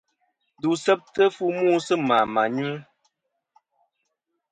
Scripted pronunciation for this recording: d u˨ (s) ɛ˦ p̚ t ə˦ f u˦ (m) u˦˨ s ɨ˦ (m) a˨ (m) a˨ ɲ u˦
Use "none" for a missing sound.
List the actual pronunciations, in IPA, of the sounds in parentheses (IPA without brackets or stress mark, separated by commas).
s, m, m, m